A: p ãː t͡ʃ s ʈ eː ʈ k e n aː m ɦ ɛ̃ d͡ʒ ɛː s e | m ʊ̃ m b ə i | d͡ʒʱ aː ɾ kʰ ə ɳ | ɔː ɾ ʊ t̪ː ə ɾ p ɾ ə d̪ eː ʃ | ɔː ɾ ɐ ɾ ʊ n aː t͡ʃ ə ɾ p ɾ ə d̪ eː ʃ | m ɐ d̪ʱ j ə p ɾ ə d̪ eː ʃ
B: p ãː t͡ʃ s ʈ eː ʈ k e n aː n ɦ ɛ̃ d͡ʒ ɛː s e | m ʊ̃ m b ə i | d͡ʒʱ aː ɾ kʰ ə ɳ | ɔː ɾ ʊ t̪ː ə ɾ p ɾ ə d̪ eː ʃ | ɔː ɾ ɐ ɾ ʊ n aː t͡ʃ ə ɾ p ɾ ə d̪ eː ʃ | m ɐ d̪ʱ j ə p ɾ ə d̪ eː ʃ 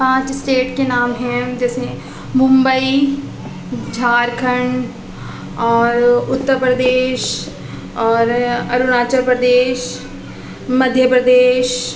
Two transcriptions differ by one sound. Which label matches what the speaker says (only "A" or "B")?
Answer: A